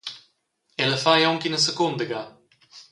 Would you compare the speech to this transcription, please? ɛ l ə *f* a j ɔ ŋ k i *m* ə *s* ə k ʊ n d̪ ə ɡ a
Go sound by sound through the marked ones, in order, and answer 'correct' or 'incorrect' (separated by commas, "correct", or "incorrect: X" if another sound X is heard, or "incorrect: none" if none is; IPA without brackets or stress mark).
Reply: correct, incorrect: n, correct